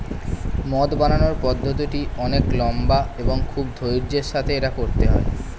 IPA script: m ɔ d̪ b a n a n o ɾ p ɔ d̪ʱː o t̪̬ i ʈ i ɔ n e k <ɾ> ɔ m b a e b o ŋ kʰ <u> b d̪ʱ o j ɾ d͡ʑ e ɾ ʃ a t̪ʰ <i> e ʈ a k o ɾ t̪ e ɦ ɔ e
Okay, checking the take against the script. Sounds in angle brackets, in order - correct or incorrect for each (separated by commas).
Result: incorrect, correct, incorrect